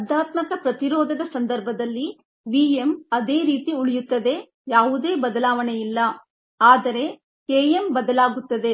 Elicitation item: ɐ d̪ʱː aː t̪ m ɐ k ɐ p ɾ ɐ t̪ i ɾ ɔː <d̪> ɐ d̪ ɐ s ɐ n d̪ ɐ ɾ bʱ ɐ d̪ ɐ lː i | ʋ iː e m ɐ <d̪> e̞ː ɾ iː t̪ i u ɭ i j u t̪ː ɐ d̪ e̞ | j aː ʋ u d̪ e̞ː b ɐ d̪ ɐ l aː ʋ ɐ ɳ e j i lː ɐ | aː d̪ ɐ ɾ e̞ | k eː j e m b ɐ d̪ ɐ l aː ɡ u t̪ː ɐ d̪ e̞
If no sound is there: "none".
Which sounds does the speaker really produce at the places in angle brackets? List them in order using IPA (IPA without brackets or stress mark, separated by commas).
d̪, d̪